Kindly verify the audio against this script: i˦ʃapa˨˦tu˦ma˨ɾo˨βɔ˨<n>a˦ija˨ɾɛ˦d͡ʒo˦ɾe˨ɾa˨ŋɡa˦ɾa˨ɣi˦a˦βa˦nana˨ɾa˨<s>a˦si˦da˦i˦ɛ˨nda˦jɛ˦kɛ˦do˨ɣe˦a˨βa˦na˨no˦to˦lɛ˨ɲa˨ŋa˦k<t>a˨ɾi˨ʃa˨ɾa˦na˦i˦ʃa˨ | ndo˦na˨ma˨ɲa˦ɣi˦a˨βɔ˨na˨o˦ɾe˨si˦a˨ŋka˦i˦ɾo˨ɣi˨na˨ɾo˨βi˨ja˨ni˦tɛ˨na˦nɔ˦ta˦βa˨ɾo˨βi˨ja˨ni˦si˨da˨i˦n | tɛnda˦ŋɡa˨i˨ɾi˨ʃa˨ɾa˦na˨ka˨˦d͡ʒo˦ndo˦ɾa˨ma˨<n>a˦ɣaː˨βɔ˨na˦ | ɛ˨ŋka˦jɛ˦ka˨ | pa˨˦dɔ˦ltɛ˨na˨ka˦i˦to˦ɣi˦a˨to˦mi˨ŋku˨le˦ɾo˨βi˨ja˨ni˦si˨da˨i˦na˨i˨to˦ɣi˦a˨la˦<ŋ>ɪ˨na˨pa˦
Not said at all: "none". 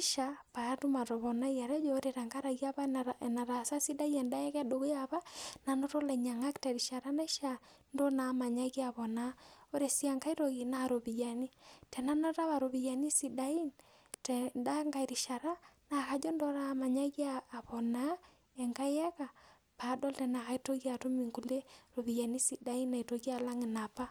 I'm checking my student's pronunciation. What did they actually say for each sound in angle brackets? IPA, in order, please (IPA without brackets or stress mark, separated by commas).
n, s, t, ɲ, ŋ